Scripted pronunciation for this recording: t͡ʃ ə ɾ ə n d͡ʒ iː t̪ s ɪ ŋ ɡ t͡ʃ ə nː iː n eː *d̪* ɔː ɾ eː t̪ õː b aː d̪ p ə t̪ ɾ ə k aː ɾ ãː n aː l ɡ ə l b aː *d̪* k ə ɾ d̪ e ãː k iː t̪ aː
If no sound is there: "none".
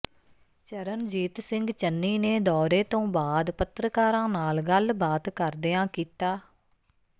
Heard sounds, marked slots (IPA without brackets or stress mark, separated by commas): d̪, t̪